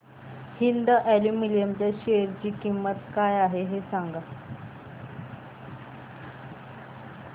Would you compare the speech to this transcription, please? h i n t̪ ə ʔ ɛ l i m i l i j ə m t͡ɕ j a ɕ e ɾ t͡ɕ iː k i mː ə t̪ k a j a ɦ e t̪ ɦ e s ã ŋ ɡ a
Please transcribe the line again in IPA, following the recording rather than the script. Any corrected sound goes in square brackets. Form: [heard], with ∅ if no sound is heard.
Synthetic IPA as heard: h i n [d̪] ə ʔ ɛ l i m i l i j ə m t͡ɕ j a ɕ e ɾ t͡ɕ iː k i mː ə t̪ k a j a ɦ e [∅] ɦ e s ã ŋ ɡ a